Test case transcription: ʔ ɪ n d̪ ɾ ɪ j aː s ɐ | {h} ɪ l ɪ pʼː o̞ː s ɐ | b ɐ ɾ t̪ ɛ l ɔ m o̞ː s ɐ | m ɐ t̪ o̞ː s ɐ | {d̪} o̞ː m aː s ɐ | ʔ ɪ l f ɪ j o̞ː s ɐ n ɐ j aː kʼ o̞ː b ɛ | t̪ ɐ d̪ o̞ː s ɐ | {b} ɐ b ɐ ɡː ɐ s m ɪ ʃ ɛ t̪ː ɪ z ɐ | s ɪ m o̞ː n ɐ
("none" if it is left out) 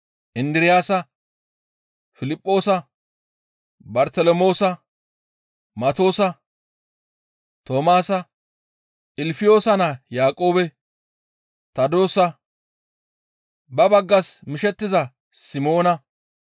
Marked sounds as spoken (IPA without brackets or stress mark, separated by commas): f, t̪, b